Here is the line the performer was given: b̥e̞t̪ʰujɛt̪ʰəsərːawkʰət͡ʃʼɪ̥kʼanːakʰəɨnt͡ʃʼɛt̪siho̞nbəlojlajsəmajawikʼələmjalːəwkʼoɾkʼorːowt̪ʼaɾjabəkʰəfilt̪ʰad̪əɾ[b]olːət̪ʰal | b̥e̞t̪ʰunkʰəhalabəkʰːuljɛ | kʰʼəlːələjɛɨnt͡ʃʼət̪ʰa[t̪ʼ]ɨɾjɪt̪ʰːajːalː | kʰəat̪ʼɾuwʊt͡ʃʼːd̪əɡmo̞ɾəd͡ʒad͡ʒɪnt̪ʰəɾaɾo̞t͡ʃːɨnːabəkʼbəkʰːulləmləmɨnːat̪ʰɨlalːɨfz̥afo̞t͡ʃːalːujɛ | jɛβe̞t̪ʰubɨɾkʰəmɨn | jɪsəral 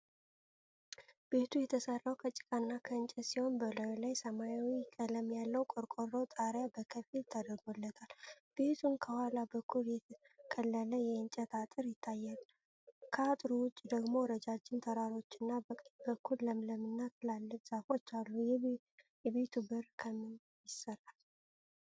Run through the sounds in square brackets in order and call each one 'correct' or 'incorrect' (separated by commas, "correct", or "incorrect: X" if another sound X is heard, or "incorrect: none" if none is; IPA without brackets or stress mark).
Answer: incorrect: ɡ, correct